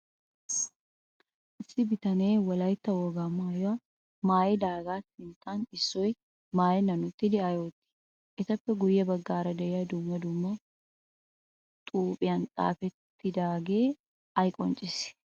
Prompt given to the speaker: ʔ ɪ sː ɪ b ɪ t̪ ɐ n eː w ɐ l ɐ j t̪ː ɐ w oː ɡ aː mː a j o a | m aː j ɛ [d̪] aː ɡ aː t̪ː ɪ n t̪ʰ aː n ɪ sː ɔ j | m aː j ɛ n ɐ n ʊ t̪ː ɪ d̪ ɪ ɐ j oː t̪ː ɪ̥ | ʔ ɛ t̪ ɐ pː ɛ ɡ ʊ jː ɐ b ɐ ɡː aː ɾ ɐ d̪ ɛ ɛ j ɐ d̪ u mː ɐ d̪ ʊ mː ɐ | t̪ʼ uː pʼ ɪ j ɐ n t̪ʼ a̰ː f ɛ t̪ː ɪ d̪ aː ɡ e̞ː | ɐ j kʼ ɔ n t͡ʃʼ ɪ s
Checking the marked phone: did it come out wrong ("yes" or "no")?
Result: no